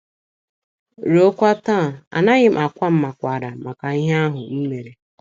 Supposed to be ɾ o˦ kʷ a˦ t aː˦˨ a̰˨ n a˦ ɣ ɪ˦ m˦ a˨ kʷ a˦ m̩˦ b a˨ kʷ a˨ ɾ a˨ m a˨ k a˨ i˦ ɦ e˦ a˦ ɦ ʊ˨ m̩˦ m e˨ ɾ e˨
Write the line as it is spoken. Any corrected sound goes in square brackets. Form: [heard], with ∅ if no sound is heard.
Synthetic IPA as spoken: ɾ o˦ kʷ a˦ t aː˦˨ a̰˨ n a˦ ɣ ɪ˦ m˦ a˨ kʷ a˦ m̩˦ [m] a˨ kʷ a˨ ɾ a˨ m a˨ k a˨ i˦ ɦ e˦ a˦ ɦ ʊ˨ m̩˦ m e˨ ɾ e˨